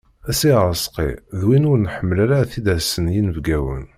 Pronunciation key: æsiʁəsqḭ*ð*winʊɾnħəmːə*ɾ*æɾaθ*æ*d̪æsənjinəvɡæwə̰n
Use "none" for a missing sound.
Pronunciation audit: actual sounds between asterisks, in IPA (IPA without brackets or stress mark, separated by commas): ð, l, i